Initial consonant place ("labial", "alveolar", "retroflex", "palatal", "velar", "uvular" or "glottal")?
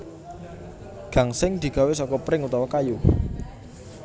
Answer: velar